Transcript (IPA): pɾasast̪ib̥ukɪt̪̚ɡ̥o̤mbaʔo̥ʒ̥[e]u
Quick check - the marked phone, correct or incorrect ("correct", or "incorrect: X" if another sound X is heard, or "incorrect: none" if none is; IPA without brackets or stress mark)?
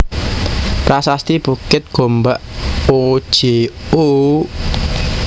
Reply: correct